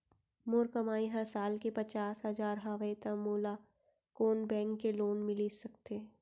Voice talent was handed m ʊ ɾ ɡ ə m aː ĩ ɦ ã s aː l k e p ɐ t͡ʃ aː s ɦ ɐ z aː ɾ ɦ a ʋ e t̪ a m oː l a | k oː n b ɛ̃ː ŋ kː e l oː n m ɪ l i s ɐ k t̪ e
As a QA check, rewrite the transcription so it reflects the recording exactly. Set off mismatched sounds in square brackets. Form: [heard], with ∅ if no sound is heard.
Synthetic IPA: m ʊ ɾ [k] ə m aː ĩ ɦ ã s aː l k e p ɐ t͡ʃ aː s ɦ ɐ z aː ɾ ɦ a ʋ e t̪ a m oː l a | k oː n b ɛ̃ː ŋ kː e l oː n m ɪ l i s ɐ k t̪ e